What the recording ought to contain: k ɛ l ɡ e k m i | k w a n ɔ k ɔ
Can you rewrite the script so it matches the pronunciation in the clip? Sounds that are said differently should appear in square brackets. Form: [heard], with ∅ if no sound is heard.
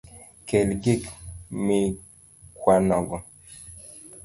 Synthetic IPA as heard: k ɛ l ɡ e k m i | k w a n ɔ [ɡ] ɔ